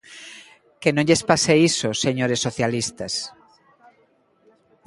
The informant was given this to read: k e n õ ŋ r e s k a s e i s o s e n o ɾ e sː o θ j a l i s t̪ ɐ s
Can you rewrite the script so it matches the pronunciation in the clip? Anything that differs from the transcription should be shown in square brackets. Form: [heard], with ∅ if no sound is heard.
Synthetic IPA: k e n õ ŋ [ʎ] e s [p] a s e i s o s e [ɲ] o ɾ e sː o θ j a l i s t̪ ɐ s